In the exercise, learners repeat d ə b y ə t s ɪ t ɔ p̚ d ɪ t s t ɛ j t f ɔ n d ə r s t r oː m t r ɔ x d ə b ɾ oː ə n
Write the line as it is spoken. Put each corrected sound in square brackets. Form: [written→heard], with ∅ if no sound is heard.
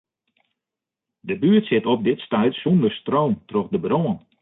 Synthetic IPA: d ə b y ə t s ɪ t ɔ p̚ d ɪ t s t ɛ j t [f→s] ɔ n d ə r s t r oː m t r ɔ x d ə b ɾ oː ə n